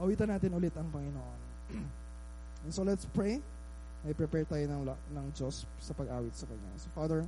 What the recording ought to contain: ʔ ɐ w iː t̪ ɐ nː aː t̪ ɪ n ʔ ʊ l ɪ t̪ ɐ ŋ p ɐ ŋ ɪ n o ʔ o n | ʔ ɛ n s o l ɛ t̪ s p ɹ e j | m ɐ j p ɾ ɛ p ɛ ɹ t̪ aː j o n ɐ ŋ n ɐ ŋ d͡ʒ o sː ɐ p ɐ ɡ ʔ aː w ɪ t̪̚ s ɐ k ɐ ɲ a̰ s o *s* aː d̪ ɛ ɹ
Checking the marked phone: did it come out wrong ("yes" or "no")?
yes